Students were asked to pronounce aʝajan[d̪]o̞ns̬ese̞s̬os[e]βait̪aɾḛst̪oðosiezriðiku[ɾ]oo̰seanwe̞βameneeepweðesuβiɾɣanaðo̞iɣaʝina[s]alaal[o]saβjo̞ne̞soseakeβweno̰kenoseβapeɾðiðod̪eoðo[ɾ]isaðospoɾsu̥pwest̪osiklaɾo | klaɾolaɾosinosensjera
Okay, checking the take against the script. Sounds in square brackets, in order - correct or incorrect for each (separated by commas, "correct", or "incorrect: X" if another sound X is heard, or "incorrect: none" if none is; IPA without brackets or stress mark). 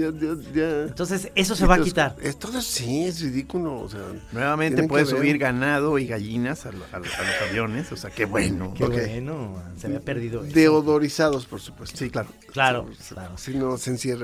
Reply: incorrect: t̪, correct, incorrect: l, correct, correct, correct